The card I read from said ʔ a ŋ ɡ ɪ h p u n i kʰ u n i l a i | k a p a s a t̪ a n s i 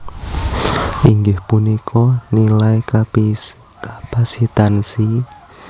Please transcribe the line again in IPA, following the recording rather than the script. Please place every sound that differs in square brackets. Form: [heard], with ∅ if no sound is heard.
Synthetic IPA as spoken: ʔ [i] ŋ ɡ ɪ h p u n i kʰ [ɔ] n i l a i | k a p a s [i] t̪ a n s i